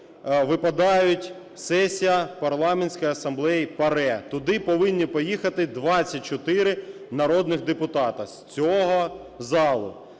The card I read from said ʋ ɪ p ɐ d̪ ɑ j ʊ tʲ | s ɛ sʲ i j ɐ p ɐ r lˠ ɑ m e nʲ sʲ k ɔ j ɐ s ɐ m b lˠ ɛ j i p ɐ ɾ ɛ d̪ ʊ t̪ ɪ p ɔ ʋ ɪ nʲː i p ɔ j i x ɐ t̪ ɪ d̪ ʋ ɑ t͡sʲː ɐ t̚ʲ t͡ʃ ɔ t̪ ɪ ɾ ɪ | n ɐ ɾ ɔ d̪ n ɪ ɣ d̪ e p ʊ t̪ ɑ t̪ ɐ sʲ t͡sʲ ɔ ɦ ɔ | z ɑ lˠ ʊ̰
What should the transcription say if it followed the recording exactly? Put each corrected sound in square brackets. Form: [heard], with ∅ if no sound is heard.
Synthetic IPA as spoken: ʋ ɪ p ɐ d̪ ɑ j ʊ tʲ | s ɛ sʲ i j ɐ p ɐ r lˠ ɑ m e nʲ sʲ k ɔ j ɐ s ɐ m b lˠ ɛ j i p ɐ ɾ ɛ [t̪] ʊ [d̪] ɪ p ɔ ʋ ɪ nʲː i p ɔ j i x ɐ t̪ ɪ d̪ ʋ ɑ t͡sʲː ɐ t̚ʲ t͡ʃ ɔ t̪ ɪ ɾ ɪ | n ɐ ɾ ɔ d̪ n ɪ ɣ d̪ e p ʊ t̪ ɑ t̪ ɐ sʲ t͡sʲ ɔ ɦ ɔ | z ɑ lˠ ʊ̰